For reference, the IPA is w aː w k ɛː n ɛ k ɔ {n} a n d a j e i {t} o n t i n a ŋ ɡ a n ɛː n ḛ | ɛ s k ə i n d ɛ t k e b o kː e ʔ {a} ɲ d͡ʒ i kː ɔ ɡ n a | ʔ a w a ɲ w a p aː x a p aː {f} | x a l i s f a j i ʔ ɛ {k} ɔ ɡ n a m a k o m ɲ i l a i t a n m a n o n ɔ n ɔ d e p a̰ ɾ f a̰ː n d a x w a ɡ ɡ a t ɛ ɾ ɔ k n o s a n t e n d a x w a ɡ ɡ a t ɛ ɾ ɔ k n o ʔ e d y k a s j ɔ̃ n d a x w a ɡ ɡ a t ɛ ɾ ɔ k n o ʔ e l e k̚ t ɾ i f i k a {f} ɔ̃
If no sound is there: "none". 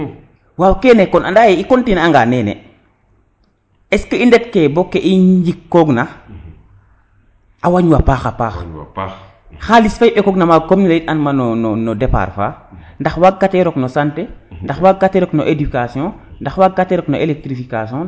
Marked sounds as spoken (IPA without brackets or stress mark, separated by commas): n, k, i, x, k, s